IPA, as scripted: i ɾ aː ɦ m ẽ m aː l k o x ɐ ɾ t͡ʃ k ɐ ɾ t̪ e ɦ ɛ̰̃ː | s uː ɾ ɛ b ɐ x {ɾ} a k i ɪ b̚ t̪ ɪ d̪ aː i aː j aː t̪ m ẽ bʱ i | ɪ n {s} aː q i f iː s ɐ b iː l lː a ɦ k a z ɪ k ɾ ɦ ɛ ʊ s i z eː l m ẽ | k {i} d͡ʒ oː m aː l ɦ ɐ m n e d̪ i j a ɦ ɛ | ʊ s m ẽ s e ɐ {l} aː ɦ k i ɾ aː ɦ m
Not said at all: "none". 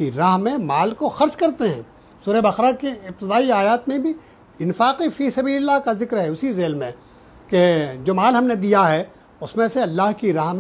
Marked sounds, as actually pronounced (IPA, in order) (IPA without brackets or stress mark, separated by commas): ɾ, f, e, lː